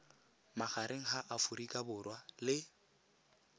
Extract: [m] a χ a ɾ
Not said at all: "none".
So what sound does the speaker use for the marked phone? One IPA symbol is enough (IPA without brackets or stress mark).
m